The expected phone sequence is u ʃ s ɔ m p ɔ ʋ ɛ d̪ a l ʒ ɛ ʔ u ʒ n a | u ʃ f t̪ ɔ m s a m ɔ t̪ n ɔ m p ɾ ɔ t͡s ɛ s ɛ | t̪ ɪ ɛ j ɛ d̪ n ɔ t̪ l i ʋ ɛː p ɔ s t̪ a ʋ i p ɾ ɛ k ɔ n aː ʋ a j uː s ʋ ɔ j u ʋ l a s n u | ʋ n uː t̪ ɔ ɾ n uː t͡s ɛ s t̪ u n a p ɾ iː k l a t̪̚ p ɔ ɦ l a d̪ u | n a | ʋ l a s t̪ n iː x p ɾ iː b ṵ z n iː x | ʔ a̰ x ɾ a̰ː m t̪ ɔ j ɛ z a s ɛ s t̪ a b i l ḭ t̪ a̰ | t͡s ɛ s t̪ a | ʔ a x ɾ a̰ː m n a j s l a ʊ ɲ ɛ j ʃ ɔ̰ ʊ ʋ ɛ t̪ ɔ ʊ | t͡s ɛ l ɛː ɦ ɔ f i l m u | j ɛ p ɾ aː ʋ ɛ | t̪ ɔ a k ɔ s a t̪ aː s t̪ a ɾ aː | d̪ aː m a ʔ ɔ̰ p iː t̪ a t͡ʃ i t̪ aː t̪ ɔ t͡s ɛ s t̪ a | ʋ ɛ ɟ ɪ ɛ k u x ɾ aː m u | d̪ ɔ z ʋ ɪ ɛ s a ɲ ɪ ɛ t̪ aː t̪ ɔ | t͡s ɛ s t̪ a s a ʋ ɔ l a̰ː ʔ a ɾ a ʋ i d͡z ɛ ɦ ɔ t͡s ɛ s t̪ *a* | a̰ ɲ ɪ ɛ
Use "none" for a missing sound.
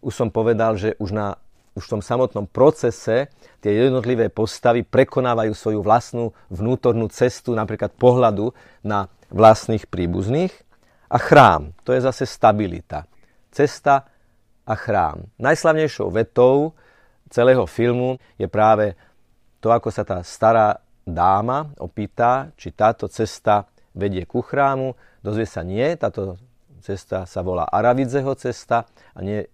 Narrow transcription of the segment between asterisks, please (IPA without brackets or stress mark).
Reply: a